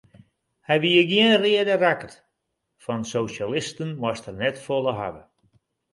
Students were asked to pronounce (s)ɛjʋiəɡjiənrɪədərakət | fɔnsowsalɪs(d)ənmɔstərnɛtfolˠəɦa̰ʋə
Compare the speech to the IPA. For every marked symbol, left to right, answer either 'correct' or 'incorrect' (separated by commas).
incorrect, incorrect